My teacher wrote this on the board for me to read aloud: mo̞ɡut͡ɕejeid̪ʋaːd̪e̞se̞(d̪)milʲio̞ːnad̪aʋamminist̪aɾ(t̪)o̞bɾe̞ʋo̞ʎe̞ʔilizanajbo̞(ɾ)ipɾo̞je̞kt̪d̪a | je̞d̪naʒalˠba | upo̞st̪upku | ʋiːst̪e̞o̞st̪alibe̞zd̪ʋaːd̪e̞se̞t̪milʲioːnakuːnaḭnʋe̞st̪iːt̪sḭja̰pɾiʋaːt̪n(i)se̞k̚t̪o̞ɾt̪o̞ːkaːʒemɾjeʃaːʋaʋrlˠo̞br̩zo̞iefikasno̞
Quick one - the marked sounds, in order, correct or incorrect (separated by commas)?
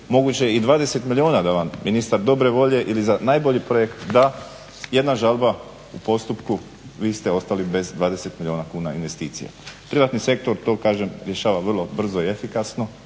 incorrect, incorrect, incorrect, correct